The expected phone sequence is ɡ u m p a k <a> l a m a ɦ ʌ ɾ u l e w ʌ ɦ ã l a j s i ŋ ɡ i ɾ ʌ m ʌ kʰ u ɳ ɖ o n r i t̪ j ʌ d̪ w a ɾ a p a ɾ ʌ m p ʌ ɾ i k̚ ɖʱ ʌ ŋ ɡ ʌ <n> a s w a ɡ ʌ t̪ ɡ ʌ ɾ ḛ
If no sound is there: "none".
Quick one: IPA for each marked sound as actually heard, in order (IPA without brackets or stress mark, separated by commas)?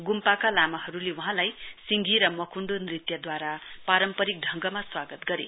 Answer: a, m